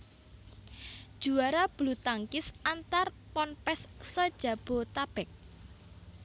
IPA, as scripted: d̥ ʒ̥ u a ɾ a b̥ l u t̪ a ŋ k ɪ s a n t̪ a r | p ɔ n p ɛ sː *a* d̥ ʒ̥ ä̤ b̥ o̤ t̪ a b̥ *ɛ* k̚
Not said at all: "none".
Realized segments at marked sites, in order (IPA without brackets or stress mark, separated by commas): ə, ɛ